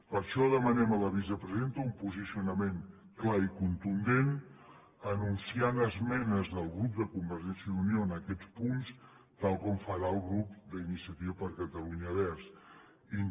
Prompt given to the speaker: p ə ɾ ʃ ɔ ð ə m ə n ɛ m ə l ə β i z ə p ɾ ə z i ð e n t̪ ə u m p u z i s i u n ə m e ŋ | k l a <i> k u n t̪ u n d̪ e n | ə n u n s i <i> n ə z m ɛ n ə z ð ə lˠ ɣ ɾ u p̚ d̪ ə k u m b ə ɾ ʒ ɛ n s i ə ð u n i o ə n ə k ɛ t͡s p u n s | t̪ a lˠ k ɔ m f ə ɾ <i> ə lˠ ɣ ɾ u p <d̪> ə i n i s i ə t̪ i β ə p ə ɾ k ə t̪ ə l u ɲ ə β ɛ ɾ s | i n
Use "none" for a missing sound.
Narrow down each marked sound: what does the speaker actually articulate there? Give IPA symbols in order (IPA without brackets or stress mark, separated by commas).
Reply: i, a, a, d̪